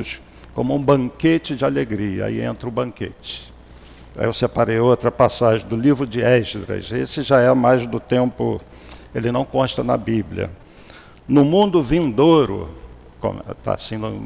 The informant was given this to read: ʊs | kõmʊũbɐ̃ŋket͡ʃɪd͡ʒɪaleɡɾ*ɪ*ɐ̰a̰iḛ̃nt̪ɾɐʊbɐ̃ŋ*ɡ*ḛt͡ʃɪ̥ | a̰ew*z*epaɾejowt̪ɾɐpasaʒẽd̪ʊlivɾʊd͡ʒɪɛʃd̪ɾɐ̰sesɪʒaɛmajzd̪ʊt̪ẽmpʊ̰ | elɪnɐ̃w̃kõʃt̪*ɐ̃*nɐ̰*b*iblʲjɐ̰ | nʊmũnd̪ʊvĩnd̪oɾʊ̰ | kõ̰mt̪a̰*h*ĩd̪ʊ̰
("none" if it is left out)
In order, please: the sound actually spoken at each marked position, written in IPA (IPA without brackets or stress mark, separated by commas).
i, k, s, ɐ, b, s